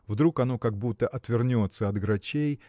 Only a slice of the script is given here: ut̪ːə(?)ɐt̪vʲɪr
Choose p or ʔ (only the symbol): ʔ